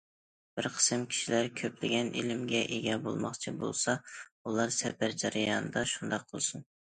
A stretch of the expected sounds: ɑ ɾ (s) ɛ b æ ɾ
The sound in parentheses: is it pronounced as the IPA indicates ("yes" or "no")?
yes